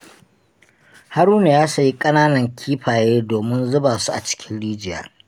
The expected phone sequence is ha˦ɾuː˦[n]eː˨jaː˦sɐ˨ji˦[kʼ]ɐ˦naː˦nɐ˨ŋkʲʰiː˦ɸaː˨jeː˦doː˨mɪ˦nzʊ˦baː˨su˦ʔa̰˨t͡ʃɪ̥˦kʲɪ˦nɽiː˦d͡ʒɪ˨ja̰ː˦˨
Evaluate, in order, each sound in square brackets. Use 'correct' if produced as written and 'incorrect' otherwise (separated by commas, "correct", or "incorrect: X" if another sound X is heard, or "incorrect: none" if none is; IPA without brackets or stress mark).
correct, correct